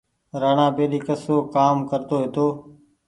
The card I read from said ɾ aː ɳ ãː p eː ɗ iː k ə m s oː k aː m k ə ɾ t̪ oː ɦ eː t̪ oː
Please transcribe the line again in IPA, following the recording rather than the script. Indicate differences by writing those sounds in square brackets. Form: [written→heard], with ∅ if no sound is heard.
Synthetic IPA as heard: ɾ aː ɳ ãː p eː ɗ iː k ə [m→∅] s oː k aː m k ə ɾ t̪ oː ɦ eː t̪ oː